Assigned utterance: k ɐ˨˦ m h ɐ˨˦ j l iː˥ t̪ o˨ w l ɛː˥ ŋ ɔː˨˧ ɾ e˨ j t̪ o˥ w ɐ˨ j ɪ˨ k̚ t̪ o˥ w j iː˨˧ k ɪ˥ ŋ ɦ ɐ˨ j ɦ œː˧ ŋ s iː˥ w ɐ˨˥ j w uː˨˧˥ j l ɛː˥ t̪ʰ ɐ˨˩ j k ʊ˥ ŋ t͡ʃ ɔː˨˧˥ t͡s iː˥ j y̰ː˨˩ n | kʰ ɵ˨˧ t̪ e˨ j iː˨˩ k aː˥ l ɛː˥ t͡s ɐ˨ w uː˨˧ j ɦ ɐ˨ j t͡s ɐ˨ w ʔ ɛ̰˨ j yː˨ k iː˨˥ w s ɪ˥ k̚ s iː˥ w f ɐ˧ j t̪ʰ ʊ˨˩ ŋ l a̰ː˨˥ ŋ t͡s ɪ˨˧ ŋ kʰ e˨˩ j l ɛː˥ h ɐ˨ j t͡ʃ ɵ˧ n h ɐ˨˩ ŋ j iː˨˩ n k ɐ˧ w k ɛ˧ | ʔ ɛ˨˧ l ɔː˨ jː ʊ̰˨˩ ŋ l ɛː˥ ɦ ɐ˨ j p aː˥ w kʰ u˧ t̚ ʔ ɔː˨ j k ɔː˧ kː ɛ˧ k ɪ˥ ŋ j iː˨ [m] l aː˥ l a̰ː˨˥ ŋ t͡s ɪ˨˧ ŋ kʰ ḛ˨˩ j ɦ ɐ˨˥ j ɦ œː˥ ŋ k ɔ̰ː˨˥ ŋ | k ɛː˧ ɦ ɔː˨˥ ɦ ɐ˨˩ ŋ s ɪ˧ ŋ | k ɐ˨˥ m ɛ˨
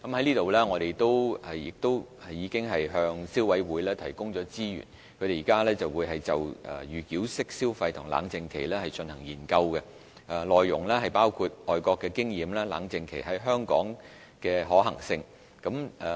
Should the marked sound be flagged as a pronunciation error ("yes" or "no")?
no